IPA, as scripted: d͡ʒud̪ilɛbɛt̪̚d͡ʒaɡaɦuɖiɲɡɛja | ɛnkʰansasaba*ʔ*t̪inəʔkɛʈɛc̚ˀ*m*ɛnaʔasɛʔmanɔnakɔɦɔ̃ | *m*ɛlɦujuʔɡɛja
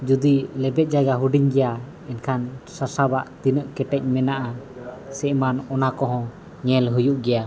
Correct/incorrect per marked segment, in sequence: correct, correct, incorrect

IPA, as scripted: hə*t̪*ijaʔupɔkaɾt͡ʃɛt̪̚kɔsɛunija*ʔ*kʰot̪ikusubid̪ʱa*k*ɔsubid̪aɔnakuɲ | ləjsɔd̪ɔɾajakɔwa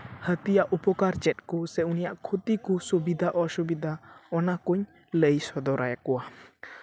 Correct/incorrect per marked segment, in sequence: correct, correct, incorrect

